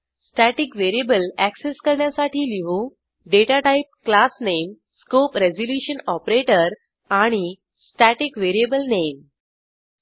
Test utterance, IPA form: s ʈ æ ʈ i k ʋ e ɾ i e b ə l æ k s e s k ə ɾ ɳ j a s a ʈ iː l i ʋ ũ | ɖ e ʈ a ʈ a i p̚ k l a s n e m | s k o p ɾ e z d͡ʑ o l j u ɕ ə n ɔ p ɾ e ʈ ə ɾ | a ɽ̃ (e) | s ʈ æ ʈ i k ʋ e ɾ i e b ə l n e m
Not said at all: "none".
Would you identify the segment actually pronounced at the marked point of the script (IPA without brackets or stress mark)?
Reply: i